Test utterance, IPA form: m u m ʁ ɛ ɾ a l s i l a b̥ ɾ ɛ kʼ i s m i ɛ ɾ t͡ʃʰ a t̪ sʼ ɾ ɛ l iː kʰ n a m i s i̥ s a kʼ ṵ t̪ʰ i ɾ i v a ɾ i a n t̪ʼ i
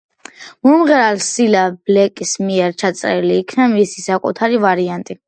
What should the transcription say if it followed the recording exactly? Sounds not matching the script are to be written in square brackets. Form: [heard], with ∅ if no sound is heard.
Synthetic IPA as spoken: m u m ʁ ɛ ɾ a l s i l a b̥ [l] ɛ kʼ i s m i ɛ ɾ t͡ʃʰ a t̪ sʼ ɾ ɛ l iː kʰ n a m i s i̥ s a kʼ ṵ t̪ʰ [a] ɾ i v a ɾ i a n t̪ʼ i